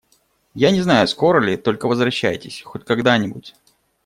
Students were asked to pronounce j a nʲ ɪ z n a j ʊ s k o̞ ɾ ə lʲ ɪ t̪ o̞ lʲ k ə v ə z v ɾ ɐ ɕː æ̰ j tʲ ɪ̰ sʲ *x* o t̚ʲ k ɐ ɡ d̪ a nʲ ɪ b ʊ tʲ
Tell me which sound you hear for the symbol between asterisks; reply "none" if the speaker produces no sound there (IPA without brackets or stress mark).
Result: x